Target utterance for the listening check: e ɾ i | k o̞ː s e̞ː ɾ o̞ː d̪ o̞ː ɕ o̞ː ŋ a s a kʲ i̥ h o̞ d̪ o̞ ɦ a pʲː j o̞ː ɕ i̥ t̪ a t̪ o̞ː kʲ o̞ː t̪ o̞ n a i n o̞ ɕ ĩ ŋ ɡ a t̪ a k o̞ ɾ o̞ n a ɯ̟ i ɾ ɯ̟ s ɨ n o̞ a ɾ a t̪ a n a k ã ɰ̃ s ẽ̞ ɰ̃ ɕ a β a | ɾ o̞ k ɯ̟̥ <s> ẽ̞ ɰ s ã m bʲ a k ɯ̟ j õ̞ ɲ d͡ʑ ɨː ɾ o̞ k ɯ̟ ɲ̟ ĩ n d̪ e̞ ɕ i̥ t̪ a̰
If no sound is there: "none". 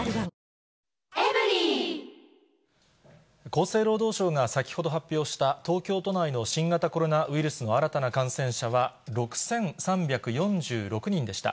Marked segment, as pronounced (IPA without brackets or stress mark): s